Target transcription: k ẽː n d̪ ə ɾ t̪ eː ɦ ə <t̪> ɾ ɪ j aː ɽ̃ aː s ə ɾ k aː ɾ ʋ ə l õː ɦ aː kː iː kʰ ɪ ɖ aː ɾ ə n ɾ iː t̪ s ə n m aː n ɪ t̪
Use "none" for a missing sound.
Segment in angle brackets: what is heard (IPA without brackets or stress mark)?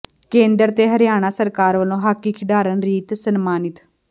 none